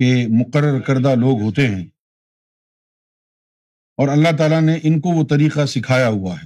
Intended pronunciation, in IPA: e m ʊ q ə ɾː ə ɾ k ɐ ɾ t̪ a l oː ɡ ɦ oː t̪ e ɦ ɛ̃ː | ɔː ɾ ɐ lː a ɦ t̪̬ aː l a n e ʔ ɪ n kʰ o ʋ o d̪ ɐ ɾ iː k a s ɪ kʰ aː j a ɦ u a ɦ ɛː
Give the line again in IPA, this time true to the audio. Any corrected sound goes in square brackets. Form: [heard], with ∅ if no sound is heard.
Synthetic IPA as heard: e m ʊ q ə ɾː ə ɾ k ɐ ɾ [d̪] a l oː ɡ ɦ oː t̪ e ɦ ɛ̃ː | ɔː ɾ ɐ lː a ɦ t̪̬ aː l a n e ʔ ɪ n [k] o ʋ o [t̪] ɐ ɾ iː [q] a s ɪ kʰ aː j a ɦ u a ɦ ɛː